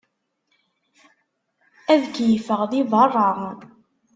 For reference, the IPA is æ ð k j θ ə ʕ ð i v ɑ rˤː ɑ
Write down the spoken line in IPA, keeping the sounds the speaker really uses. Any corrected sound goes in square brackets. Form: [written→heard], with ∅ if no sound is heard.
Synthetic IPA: æ ð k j [θ→f] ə [ʕ→ʁ] ð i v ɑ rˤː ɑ